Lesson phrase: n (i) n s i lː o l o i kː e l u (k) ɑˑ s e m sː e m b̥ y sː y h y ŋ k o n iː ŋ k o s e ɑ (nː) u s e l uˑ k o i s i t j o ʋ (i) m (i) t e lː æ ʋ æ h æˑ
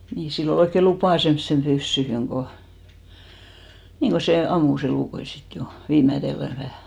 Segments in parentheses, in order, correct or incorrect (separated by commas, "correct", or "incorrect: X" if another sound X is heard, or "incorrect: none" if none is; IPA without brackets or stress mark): incorrect: iː, incorrect: p, incorrect: mː, incorrect: iː, incorrect: æ